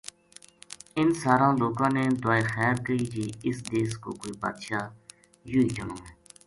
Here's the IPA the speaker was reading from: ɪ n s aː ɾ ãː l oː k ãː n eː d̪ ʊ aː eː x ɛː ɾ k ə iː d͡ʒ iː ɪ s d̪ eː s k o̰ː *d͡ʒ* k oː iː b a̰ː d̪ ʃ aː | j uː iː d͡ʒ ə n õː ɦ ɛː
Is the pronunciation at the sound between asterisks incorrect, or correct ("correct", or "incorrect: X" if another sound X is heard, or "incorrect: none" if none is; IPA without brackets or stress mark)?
incorrect: none